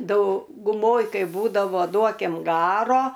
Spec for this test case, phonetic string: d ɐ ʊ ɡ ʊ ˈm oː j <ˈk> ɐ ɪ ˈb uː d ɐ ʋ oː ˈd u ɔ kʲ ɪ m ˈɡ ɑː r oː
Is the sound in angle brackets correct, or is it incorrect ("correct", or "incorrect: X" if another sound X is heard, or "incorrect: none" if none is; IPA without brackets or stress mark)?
correct